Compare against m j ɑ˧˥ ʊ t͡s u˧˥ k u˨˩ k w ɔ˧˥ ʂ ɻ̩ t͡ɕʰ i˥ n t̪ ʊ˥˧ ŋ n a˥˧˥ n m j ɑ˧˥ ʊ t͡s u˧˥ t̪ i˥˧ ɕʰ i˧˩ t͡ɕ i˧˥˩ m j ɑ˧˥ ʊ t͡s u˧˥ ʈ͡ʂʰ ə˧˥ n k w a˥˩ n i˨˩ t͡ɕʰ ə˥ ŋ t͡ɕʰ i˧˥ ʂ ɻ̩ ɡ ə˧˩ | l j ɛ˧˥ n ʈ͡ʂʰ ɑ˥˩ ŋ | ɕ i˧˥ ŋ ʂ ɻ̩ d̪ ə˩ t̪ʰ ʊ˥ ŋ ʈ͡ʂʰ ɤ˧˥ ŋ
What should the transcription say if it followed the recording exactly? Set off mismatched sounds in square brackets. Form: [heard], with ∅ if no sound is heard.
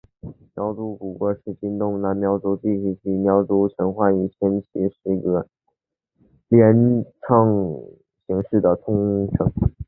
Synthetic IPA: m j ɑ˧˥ ʊ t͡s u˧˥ k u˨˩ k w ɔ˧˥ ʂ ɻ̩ [t͡ɕ] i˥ n t̪ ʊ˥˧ ŋ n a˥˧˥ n m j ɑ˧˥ ʊ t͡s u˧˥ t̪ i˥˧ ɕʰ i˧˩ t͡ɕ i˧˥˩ m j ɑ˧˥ ʊ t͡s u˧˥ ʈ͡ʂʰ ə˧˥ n [x] w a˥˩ n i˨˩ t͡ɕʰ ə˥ [n] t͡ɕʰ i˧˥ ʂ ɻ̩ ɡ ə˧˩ | l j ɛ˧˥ n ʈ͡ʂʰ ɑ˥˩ ŋ | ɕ i˧˥ ŋ ʂ ɻ̩ d̪ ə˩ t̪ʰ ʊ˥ ŋ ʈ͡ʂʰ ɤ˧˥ ŋ